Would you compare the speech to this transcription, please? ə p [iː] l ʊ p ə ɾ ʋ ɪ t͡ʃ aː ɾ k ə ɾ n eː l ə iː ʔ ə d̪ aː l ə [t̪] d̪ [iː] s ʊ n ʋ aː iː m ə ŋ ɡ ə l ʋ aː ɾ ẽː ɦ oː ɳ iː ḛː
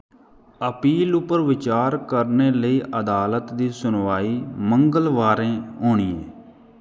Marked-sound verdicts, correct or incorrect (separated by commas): correct, correct, correct